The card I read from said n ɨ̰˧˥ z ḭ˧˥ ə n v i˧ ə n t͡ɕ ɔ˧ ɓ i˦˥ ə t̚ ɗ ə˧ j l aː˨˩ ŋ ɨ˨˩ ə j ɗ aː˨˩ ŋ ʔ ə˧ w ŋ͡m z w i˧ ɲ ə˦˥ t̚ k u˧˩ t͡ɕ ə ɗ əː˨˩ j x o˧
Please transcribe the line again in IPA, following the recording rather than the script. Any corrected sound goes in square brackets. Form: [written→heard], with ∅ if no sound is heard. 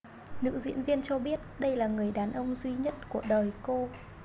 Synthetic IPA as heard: n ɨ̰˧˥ z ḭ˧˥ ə n v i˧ ə n t͡ɕ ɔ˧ ɓ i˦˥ ə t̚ ɗ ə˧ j l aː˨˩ ŋ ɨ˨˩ ə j ɗ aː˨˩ [ŋ→n] ʔ ə˧ w ŋ͡m z w i˧ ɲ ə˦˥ t̚ k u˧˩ [t͡ɕ→∅] ə ɗ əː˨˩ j [x→k] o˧